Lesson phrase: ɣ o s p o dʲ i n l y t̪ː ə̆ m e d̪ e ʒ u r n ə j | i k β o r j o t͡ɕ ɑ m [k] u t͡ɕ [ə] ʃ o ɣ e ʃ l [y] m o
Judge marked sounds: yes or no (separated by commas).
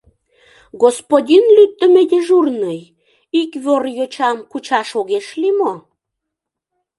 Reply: yes, no, no